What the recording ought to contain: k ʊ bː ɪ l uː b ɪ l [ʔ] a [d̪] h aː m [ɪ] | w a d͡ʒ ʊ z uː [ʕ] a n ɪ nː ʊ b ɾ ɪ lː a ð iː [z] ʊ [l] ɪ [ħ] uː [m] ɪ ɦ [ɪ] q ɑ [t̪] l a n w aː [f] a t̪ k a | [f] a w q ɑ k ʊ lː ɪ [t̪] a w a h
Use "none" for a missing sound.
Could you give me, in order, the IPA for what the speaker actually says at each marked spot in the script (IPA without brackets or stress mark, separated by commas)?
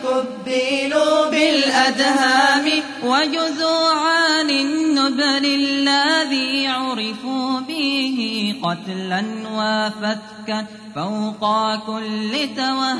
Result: ʔ, d̪, ɪ, ʕ, ʕ, ɾ, f, b, ɪ, t̪, f, f, t̪